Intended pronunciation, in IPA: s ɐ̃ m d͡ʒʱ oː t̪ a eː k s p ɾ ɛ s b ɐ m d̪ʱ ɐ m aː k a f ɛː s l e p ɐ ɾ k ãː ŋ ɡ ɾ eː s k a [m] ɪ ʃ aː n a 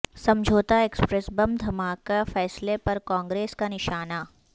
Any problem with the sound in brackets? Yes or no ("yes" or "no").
yes